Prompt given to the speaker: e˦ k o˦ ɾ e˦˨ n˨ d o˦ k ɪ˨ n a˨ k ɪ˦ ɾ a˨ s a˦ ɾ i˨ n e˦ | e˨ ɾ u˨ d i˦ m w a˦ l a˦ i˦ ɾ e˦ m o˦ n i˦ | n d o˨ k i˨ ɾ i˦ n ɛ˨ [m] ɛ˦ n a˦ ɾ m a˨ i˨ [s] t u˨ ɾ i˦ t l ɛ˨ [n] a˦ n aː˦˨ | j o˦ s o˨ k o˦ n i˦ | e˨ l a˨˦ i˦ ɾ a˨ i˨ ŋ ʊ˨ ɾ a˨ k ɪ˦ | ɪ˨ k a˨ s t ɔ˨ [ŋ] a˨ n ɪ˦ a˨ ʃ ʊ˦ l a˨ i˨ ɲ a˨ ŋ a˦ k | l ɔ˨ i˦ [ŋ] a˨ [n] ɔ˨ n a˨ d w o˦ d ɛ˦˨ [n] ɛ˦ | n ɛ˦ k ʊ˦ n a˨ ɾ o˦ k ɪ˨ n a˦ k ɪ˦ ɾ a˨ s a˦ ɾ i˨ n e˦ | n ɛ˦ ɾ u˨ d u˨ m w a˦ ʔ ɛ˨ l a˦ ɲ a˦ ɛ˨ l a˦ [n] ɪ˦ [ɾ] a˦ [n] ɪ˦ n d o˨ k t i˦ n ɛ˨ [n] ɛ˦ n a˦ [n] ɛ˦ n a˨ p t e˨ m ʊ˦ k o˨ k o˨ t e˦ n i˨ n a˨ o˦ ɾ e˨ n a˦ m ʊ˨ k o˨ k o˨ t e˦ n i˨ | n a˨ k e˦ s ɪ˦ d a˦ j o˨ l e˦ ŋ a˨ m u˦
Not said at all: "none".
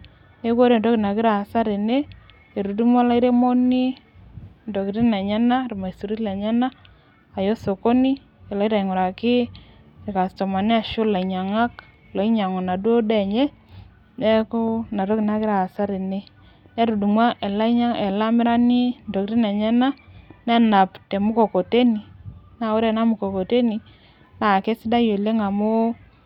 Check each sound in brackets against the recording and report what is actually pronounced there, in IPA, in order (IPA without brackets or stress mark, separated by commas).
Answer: ɲ, s, ɲ, m, ɲ, ŋ, ɲ, m, ɾ, n, ɲ, n